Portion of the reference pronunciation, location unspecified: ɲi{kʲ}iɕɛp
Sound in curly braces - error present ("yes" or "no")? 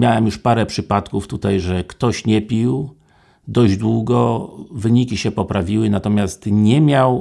no